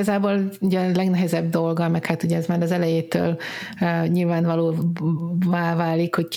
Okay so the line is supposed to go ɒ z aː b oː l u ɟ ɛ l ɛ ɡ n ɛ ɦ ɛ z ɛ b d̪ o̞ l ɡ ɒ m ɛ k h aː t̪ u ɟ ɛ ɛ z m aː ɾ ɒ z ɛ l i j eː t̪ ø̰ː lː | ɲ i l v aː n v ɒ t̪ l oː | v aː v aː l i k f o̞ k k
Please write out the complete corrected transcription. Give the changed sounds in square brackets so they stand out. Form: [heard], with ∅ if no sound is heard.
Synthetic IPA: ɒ z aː b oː l u ɟ ɛ l ɛ ɡ n ɛ ɦ ɛ z ɛ b d̪ o̞ l ɡ ɒ m ɛ k h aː t̪ u ɟ ɛ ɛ z m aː ɾ ɒ z ɛ l [ɛ] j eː t̪ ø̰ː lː | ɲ i l v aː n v ɒ [∅] l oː | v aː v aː l i k [h] o̞ [c] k